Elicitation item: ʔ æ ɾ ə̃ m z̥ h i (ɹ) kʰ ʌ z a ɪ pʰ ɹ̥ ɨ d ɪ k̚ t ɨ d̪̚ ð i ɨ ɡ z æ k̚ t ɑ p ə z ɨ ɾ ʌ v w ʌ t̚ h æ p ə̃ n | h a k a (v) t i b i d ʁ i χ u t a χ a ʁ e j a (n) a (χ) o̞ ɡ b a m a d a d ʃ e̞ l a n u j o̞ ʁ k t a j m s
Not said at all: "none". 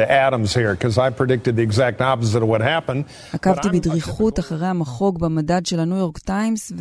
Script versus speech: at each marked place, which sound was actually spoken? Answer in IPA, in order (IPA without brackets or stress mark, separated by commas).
ɹ, v, m, χ